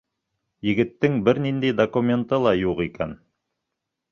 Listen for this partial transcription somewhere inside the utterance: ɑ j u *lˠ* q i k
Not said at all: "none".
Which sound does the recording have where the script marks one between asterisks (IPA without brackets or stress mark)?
none